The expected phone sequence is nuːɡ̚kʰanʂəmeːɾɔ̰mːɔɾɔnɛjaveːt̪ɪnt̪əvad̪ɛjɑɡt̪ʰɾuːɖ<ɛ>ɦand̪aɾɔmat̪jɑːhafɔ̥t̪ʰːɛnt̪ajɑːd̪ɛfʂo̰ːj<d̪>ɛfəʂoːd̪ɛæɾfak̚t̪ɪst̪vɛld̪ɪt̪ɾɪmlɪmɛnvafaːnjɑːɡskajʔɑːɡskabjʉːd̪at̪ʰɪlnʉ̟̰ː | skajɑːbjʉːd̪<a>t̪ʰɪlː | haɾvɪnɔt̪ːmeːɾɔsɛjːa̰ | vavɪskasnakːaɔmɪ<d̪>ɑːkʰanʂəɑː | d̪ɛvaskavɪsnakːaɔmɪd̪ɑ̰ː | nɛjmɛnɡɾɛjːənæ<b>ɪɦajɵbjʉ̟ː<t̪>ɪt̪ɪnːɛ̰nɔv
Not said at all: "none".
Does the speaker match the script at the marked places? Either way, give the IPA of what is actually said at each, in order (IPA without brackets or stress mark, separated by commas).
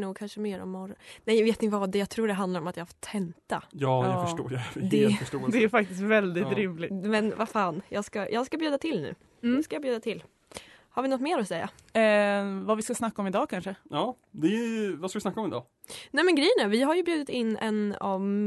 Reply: ɛ, d̪, a, d̪, v, d̪